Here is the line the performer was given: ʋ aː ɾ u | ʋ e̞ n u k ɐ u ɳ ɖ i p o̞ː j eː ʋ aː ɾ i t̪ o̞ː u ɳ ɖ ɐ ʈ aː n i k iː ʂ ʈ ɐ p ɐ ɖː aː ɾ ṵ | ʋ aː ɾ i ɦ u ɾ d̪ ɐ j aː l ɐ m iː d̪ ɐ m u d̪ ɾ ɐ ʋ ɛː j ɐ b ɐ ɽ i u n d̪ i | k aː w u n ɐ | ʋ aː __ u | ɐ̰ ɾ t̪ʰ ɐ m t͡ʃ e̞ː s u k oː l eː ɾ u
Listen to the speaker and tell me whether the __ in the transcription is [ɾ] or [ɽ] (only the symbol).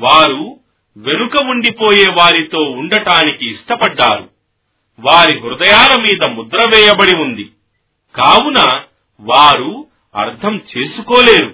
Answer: ɾ